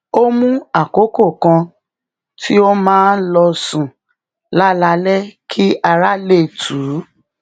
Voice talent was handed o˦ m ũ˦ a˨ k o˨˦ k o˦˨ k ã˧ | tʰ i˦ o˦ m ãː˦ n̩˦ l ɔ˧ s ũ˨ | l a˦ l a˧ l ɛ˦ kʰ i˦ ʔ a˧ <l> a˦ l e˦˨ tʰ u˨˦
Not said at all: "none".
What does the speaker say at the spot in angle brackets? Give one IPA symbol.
ɾ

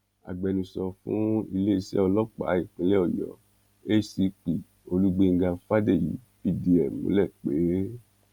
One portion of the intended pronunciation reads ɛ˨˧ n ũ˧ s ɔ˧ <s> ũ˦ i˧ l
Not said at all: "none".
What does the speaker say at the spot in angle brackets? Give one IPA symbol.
f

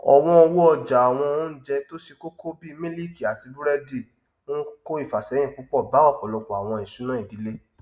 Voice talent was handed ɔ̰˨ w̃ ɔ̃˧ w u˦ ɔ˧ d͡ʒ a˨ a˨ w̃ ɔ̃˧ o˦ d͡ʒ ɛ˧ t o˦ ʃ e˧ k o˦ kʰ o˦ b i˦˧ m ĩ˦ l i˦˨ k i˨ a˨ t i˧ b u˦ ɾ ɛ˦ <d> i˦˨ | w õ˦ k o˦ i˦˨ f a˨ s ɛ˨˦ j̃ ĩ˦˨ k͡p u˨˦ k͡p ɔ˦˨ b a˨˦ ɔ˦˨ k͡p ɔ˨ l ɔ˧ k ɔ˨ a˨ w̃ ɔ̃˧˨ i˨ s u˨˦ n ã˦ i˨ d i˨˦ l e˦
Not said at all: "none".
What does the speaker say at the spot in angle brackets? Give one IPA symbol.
d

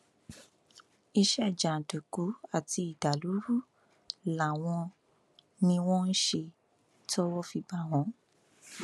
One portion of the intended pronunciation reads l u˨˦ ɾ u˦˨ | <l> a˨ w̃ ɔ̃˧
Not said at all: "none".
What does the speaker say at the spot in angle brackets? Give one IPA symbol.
l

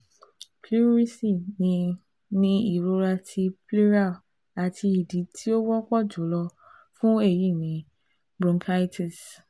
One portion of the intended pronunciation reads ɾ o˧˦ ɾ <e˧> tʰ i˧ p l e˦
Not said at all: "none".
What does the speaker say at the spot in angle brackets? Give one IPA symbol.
a˧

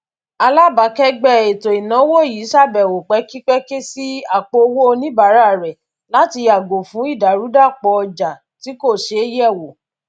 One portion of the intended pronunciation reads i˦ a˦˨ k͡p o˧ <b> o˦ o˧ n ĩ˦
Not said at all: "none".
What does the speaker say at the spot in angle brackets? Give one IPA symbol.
w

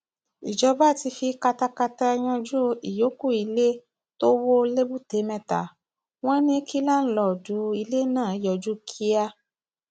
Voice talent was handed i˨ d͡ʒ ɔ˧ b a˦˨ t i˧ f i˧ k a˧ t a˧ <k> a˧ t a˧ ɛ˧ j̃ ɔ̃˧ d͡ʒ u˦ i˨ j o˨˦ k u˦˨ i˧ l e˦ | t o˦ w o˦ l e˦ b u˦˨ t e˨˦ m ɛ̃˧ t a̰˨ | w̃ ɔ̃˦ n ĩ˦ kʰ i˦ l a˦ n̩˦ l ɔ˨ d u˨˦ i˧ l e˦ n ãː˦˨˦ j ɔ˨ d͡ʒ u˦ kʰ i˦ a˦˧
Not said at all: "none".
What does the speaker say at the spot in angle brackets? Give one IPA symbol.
k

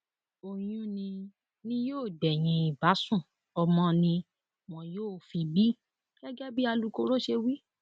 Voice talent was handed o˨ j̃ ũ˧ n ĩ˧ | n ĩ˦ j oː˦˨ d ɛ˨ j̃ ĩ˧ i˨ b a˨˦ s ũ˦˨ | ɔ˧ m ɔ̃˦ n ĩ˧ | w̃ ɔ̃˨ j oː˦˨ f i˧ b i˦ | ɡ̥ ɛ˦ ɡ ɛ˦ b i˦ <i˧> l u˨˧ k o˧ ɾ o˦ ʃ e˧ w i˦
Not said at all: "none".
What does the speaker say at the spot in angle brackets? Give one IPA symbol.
a˧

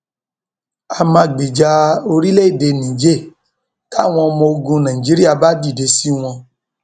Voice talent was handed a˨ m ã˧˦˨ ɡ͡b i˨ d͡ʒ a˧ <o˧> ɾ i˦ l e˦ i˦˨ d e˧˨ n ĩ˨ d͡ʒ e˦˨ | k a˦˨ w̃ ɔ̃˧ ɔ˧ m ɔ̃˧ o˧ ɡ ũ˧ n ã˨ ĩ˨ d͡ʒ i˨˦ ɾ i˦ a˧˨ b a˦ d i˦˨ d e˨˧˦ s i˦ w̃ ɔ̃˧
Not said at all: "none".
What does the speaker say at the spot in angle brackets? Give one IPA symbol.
o˧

